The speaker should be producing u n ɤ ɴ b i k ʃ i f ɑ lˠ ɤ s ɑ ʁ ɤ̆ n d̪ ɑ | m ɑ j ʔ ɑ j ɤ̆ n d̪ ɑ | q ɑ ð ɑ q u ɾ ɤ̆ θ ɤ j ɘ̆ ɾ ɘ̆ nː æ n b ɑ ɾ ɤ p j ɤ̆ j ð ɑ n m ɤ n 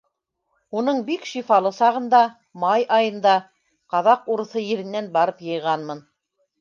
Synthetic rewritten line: u n ɤ ɴ b i k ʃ i f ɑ lˠ ɤ s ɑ ʁ ɤ̆ n d̪ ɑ | m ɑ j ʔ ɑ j ɤ̆ n d̪ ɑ | q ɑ ð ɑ q u ɾ ɤ̆ θ ɤ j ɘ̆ ɾ ɘ̆ nː æ n b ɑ ɾ ɤ p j ɤ̆ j ʁ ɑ n m ɤ n